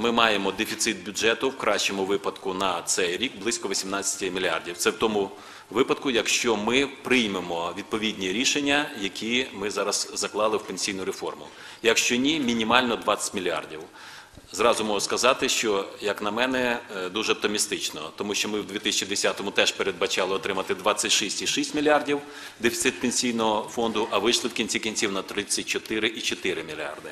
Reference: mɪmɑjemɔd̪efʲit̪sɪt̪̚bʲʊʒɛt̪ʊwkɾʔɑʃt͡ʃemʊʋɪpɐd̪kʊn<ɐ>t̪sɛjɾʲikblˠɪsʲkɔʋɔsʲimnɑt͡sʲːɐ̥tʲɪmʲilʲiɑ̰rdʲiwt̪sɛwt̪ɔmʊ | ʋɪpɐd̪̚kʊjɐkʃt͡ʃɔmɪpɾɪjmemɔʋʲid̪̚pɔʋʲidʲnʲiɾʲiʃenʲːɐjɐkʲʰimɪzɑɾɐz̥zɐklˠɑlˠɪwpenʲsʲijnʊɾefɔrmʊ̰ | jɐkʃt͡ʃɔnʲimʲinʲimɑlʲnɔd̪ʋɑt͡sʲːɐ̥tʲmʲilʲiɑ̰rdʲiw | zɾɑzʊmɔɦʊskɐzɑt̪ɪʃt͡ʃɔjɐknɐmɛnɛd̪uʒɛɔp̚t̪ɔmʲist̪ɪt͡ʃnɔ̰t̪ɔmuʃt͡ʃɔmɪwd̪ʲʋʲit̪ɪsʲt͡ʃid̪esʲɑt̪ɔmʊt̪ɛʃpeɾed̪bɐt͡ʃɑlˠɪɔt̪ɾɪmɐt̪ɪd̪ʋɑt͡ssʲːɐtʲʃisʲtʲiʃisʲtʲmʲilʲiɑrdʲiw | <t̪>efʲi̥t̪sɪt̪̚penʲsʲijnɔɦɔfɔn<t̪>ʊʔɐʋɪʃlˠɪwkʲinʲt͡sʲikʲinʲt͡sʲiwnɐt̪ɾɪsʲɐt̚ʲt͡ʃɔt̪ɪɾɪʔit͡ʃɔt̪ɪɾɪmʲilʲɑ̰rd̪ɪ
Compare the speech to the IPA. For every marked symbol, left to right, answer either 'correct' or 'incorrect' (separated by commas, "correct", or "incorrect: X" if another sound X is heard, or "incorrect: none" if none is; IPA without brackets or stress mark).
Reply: correct, incorrect: d̪, incorrect: d̪